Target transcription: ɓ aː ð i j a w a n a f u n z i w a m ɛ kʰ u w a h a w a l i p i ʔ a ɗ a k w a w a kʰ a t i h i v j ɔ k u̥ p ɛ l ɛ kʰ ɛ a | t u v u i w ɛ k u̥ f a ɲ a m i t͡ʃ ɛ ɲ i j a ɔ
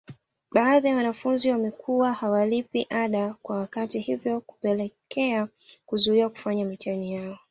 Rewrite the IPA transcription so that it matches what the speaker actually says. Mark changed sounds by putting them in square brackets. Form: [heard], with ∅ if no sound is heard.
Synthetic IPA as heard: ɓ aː ð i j a w a n a f u n z i w a m ɛ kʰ u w a h a w a l i p i ʔ a ɗ a k w a w a [k] a t i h i v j ɔ k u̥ p ɛ l ɛ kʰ ɛ a | [k] u [z] u i w [a] k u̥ f a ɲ a m i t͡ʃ [a] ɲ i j a ɔ